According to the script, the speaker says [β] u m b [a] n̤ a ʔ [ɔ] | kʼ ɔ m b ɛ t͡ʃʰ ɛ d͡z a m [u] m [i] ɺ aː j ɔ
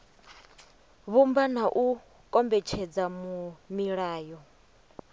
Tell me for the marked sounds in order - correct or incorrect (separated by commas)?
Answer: correct, correct, incorrect, correct, correct